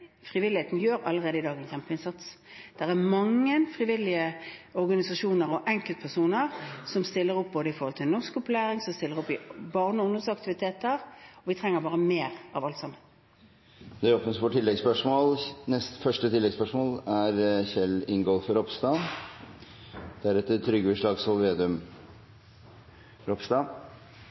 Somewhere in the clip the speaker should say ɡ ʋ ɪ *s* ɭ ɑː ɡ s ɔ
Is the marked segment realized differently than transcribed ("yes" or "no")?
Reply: yes